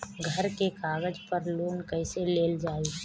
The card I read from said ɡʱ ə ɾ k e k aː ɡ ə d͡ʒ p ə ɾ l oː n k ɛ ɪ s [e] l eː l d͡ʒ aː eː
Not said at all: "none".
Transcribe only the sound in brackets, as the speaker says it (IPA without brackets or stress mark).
e